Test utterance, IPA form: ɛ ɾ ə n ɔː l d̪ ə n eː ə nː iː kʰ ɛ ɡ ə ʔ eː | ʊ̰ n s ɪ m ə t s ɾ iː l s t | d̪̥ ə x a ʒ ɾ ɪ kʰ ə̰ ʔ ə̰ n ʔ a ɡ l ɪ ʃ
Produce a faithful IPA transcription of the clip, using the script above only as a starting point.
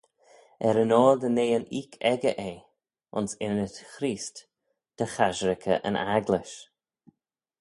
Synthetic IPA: ɛ ɾ ə n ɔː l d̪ ə n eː ə n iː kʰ ɛ ɡ ə ʔ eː | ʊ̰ n s ɪ n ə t x ɾ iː s t | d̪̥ ə x a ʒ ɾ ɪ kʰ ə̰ ʔ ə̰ n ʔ a ɡ l ɪ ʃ